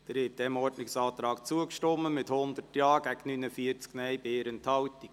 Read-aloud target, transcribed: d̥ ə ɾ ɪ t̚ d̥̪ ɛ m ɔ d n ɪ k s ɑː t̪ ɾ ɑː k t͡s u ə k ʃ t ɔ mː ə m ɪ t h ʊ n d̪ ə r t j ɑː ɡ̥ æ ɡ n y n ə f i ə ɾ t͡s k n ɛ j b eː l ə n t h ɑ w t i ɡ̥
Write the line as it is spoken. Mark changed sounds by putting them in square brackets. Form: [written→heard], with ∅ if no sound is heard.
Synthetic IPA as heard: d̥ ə ɾ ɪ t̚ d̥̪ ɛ m ɔ d n ɪ k s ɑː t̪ ɾ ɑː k t͡s u ə k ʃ t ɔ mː ə m ɪ t h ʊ n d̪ ə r t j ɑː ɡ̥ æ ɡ n y n ə f i ə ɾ t͡s k n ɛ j b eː [l→ɾ] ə n t h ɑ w t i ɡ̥